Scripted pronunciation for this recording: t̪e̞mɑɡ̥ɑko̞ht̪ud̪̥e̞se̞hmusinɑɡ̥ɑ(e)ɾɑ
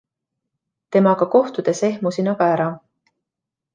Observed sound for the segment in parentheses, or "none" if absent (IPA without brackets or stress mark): æ